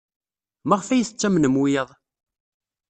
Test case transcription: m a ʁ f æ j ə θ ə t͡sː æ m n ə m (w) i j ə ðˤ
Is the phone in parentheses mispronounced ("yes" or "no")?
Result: no